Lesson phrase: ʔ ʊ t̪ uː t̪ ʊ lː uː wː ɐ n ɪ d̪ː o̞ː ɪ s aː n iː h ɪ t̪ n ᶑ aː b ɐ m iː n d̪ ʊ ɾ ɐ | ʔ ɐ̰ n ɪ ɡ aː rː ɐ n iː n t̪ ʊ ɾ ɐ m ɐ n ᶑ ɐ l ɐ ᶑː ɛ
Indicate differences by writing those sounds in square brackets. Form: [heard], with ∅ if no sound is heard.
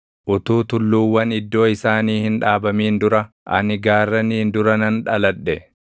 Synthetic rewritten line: ʔ ʊ t̪ uː t̪ ʊ lː uː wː ɐ n ɪ d̪ː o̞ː ɪ s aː n iː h ɪ [∅] n ᶑ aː b ɐ m iː n d̪ ʊ ɾ ɐ | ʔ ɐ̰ n ɪ ɡ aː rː ɐ n iː n [d̪] ʊ ɾ ɐ [n] ɐ n ᶑ ɐ l ɐ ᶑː ɛ